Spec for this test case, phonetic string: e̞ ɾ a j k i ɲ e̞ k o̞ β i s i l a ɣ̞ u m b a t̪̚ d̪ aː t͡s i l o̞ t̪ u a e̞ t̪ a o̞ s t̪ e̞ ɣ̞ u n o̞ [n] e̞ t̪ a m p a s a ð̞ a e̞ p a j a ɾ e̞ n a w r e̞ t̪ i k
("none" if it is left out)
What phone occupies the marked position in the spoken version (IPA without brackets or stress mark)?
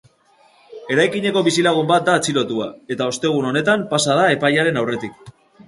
n